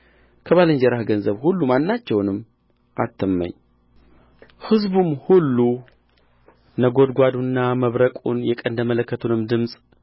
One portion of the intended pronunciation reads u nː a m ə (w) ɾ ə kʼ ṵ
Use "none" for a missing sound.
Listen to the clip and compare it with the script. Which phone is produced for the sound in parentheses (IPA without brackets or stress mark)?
β